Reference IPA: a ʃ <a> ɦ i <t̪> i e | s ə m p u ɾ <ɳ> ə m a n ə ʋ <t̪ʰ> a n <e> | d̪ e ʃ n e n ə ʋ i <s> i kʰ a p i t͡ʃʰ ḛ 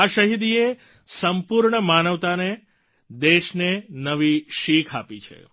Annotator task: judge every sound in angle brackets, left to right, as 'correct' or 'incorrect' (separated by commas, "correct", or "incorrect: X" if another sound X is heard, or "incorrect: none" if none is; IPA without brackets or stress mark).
incorrect: ə, incorrect: d̪, correct, incorrect: t̪, correct, incorrect: ʃ